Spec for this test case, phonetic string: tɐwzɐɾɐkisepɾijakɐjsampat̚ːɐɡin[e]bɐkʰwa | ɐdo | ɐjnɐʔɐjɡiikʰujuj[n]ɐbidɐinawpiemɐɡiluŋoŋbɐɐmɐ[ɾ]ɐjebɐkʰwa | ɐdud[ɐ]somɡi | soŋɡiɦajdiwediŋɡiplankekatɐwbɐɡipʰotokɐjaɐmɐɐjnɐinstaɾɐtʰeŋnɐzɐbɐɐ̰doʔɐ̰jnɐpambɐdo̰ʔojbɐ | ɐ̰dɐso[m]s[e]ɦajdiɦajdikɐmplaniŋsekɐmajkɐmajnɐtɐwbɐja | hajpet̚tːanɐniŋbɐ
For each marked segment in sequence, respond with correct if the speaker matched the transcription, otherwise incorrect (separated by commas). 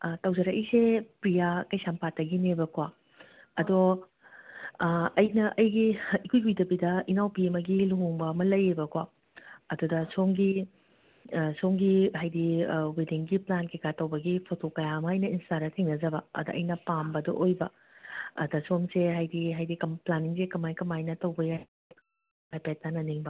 correct, incorrect, incorrect, correct, correct, correct